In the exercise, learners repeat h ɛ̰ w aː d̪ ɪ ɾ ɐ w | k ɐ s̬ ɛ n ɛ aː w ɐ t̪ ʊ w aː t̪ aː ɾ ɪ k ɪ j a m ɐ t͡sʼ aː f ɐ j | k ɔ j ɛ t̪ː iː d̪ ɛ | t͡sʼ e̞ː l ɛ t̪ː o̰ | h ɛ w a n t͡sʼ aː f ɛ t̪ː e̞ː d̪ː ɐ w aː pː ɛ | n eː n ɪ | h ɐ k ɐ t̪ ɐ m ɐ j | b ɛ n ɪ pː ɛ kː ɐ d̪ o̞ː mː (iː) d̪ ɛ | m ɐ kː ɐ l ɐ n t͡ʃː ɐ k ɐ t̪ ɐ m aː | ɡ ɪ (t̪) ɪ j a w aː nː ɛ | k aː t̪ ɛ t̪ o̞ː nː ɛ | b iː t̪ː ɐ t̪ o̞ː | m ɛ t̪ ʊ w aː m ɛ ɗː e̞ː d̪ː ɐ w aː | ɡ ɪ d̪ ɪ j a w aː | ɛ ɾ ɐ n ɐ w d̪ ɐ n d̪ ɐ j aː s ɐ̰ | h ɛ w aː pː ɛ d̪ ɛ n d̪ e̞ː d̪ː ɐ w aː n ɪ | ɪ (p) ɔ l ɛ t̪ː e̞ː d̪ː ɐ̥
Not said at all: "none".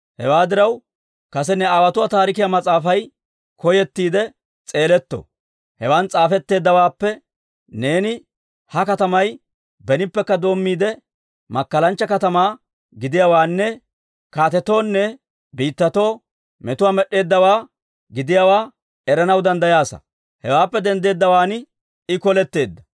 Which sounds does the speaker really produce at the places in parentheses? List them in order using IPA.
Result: iː, d̪, k

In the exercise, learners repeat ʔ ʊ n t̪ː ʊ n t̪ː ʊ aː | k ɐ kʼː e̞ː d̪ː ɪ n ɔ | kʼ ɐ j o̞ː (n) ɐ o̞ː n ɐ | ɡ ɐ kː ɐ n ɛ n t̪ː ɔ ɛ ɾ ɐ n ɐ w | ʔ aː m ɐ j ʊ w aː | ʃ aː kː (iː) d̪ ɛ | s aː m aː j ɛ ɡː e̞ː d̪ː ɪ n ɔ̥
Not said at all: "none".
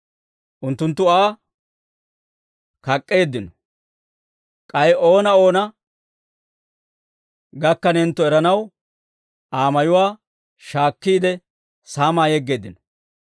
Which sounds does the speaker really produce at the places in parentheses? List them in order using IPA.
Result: n, iː

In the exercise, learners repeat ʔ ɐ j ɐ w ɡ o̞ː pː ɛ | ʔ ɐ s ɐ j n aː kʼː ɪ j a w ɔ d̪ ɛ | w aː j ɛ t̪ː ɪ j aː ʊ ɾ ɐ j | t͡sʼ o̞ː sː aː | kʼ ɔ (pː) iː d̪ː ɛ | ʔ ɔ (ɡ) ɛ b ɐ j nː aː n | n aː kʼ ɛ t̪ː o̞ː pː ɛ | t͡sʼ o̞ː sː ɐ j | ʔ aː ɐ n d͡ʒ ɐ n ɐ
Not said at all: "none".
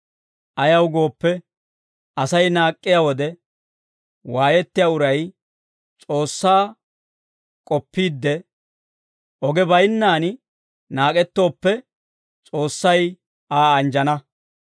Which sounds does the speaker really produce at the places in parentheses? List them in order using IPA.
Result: pː, ɡ

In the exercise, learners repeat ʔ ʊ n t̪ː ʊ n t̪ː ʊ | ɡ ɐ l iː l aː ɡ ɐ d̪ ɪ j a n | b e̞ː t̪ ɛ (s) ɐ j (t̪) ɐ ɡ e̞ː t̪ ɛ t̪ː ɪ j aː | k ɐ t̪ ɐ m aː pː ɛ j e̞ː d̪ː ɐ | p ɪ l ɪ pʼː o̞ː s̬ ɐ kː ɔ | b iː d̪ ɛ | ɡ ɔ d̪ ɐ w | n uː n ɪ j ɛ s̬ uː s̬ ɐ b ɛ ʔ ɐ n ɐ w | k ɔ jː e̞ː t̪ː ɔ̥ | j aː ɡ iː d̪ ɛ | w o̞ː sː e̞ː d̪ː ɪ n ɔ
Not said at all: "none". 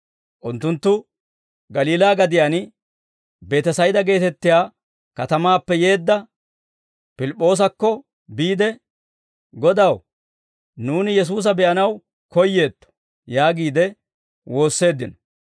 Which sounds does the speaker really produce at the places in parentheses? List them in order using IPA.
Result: s, d̪

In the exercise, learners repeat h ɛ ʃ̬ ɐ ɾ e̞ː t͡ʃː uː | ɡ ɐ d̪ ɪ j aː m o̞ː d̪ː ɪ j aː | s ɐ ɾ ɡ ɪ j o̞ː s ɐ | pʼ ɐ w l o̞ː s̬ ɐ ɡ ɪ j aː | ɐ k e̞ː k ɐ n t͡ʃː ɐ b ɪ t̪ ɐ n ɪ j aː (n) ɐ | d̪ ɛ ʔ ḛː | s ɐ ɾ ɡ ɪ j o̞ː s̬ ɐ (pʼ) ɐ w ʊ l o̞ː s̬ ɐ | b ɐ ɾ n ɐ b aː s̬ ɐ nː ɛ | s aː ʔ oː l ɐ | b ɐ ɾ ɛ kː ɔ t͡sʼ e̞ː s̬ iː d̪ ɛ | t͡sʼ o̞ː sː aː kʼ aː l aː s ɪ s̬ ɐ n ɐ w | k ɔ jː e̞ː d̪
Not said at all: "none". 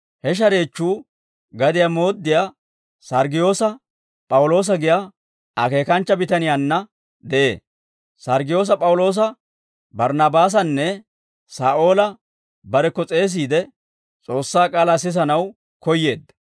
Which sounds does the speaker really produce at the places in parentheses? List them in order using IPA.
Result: nː, pʼ

